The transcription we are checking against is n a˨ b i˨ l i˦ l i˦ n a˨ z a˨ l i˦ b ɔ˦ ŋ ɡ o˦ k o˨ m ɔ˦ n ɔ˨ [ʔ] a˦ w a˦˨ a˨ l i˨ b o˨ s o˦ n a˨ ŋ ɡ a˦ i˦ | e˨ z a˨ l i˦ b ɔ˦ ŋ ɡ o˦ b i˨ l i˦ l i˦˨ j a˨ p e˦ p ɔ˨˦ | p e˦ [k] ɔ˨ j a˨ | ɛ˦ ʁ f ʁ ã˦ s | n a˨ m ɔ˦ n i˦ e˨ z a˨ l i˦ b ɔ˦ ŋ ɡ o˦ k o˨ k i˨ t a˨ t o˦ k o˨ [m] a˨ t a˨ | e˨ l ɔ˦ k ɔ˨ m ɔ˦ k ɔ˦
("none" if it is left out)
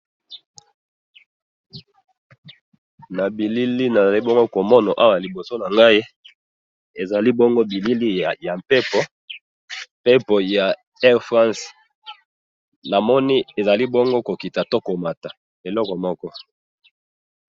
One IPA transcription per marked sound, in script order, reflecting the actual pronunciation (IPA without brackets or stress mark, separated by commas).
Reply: ʔ, p, m